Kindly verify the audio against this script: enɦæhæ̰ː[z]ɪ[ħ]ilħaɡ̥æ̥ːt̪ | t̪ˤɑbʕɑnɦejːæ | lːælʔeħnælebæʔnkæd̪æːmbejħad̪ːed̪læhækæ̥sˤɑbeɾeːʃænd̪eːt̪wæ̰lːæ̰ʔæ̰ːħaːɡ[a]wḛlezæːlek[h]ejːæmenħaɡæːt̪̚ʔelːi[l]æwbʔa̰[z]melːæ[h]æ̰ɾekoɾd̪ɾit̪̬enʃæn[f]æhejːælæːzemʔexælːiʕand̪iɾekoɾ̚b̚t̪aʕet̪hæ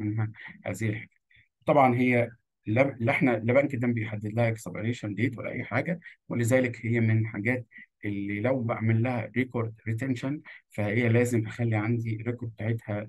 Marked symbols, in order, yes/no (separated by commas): yes, no, no, yes, yes, no, yes, yes